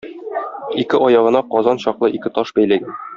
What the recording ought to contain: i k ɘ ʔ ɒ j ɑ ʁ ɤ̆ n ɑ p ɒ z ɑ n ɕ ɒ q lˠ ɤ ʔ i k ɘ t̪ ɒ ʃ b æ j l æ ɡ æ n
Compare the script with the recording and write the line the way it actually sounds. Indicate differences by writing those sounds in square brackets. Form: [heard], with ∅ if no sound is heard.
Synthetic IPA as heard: i k ɘ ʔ ɒ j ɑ ʁ ɤ̆ n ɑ [q] ɒ z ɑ n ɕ ɒ q lˠ ɤ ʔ i k ɘ t̪ ɒ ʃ b æ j l æ ɡ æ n